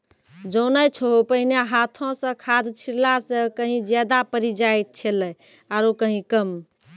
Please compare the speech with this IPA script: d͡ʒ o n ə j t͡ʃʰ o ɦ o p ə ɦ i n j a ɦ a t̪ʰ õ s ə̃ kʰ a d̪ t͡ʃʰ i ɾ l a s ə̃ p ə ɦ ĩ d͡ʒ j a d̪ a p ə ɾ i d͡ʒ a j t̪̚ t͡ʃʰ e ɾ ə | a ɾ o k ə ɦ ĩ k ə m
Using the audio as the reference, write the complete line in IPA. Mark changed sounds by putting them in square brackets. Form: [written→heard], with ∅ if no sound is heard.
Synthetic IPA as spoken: d͡ʒ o n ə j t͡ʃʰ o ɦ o p ə ɦ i n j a ɦ a t̪ʰ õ s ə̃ kʰ a d̪ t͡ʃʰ i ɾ l a s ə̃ [p→k] ə ɦ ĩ d͡ʒ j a d̪ a p ə ɾ i d͡ʒ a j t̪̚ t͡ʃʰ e [ɾ→l] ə | a ɾ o k ə ɦ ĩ k ə m